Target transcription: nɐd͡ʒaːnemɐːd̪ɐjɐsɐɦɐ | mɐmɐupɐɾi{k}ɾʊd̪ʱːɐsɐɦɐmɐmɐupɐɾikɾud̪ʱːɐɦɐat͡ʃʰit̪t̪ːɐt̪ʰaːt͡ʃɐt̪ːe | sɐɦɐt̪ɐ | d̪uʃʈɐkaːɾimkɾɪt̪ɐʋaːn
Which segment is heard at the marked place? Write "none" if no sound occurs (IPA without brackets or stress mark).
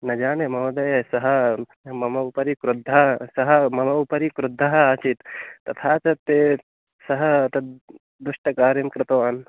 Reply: k